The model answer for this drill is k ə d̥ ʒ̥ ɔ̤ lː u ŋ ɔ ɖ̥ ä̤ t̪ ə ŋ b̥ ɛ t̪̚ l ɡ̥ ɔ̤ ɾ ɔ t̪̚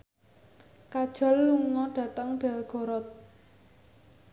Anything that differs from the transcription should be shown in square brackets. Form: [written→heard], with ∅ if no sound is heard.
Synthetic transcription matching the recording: k [ə→a] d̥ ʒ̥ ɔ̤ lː u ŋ ɔ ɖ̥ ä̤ t̪ ə ŋ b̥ ɛ [t̪̚→∅] l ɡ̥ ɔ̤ ɾ ɔ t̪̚